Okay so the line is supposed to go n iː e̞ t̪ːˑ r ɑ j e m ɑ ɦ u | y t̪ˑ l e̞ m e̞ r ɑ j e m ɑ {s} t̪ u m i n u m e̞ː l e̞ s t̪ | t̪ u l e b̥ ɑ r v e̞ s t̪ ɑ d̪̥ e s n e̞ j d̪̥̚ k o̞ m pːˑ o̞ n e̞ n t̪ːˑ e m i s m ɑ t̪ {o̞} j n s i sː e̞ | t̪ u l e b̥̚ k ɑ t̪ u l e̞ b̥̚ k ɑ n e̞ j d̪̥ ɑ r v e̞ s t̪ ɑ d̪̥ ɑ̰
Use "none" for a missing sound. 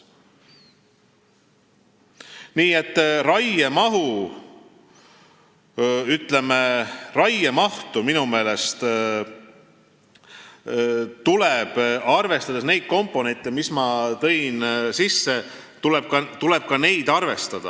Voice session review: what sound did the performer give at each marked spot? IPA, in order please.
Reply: h, ɤ̞

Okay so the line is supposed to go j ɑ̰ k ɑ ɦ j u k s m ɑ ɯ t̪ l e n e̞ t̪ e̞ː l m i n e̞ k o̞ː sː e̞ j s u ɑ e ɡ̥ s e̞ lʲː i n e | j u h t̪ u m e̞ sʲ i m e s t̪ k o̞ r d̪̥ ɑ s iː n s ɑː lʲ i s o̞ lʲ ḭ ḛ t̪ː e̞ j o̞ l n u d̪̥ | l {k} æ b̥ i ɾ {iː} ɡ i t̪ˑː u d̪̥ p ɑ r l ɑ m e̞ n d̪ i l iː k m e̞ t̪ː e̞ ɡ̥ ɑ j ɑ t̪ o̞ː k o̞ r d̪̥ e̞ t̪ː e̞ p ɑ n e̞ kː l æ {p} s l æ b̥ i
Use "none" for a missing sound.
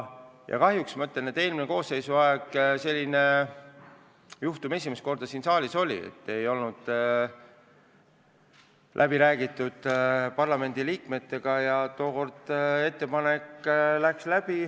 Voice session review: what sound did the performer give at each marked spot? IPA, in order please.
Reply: ʔ, æː, k

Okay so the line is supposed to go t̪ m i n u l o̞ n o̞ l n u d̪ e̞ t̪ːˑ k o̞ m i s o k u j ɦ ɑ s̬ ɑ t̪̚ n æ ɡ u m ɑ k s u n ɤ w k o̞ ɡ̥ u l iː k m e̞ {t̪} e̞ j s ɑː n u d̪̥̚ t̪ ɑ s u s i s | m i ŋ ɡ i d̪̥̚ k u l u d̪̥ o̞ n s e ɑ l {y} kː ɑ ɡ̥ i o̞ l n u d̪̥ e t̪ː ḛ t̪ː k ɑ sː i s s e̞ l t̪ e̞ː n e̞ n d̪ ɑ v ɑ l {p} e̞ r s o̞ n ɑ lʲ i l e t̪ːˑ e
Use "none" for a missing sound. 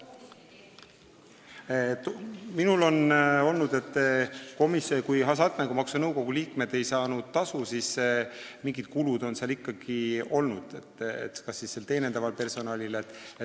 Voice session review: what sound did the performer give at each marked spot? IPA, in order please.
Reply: d̪, i, p

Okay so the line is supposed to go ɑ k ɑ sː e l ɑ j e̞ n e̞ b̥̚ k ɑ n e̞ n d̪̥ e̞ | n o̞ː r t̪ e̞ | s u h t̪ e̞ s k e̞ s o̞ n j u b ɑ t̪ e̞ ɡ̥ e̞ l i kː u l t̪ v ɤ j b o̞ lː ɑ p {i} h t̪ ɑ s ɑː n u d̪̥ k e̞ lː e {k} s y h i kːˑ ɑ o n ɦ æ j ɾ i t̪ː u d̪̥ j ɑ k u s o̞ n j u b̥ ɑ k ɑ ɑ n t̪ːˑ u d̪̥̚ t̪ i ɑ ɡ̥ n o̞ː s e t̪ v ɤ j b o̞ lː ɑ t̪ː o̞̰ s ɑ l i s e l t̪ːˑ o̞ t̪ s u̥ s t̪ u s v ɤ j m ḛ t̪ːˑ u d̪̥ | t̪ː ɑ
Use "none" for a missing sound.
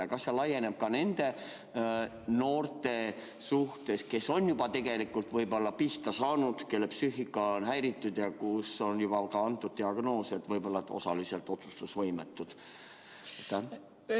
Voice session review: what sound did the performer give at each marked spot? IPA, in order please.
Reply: i, p

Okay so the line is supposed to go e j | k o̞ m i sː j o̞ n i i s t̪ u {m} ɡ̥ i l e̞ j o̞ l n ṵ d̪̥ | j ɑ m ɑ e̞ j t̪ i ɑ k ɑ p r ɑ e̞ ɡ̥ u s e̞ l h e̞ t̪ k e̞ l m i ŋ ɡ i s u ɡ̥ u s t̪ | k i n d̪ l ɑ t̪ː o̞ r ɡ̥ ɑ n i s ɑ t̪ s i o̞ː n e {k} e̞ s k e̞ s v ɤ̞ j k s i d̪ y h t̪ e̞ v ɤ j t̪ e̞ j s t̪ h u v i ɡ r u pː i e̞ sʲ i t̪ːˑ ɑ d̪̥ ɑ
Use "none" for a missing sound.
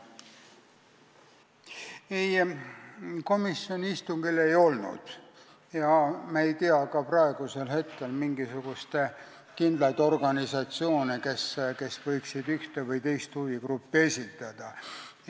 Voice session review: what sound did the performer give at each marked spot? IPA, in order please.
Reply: ŋ, k

